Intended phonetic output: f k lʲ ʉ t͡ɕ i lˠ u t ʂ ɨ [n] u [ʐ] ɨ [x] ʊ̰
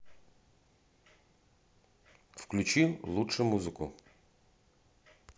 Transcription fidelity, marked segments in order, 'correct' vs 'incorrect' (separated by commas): incorrect, incorrect, incorrect